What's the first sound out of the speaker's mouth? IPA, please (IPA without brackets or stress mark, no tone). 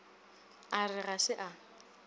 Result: a